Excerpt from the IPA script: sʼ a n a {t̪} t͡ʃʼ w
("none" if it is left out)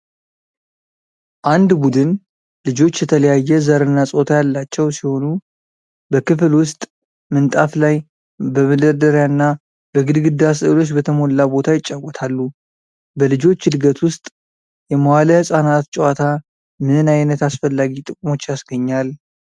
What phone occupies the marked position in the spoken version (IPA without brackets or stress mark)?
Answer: t̪